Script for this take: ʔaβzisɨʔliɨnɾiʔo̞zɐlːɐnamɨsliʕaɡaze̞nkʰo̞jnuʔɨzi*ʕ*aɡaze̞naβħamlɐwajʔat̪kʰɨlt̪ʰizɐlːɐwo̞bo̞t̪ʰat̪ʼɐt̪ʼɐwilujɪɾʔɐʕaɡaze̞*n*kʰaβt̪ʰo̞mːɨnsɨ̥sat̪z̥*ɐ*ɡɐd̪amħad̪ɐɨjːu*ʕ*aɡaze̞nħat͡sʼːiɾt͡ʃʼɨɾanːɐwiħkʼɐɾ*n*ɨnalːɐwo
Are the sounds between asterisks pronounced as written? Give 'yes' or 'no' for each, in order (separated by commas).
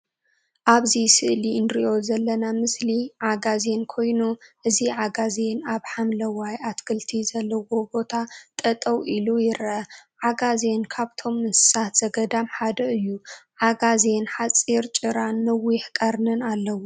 yes, yes, yes, yes, yes